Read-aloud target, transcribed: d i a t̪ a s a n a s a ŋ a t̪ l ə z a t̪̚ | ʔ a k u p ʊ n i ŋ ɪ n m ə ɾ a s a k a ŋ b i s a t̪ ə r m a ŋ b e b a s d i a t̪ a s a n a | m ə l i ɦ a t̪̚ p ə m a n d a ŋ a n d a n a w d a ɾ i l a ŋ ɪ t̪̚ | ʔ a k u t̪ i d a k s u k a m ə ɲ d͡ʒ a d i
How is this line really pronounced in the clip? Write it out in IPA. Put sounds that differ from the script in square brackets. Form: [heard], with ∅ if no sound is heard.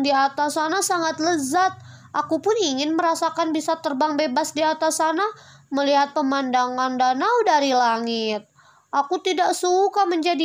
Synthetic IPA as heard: d i a t̪ a s a n a s a ŋ a t̪ l ə z a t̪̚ | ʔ a k u p ʊ n i ŋ ɪ n m ə ɾ a s a k a [n] b i s a t̪ ə r [b] a ŋ b e b a s d i a t̪ a s a n a | m ə l i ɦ a t̪̚ p ə m a n d a ŋ a n d a n a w d a ɾ i l a ŋ ɪ t̪̚ | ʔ a k u t̪ i d a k s u k a m ə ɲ d͡ʒ a d i